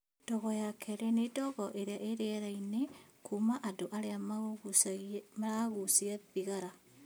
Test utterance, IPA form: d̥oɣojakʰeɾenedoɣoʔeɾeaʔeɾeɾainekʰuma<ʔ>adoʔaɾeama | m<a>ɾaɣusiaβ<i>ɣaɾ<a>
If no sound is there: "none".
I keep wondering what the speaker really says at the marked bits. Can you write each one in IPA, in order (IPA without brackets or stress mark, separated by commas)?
ʔ, a, i, a